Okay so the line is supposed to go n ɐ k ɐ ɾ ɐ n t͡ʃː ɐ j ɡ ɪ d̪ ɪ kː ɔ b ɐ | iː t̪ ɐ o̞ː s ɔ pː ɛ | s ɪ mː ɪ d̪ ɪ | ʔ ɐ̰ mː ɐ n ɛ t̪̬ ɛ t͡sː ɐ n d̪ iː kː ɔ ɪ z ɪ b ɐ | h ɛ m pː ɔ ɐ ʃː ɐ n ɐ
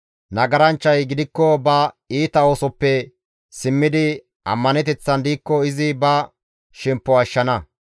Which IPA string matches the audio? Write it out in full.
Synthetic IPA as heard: n ɐ ɡ ɐ ɾ ɐ n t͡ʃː ɐ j ɡ ɪ d̪ ɪ kː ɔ b ɐ | iː t̪ ɐ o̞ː s ɔ pː ɛ | s ɪ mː ɪ d̪ ɪ | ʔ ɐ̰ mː ɐ n ɛ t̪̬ ɛ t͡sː ɐ n d̪ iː kː ɔ ɪ z ɪ b ɐ | ʃ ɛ m pː ɔ ɐ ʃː ɐ n ɐ